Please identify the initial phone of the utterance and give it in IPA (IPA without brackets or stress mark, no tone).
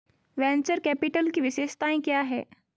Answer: ʋ